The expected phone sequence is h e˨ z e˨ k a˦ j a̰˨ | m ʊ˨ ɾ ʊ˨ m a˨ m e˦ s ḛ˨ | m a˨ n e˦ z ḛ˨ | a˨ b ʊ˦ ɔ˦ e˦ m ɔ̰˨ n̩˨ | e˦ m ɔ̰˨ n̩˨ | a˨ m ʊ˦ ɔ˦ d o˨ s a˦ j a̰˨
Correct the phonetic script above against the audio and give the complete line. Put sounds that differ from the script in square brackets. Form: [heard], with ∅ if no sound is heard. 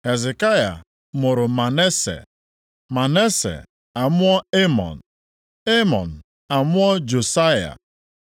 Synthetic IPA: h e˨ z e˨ k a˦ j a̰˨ | m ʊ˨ ɾ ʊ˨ m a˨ [n] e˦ s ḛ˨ | m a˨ n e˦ [s] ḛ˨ | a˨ [m] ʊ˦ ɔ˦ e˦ m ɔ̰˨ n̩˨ | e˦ m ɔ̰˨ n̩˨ | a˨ m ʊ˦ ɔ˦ [d͡ʒ] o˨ s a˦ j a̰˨